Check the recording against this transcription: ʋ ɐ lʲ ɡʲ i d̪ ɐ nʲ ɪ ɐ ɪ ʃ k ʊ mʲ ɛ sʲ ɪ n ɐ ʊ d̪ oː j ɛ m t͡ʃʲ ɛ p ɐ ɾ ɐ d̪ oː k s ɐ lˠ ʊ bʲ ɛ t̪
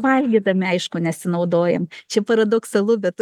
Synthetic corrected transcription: ʋ ɐ lʲ ɡʲ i d̪ ɐ mʲ ɪ ɐ ɪ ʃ k ʊ nʲ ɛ sʲ ɪ n ɐ ʊ d̪ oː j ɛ m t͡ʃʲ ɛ p ɐ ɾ ɐ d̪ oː k s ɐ lˠ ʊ bʲ ɛ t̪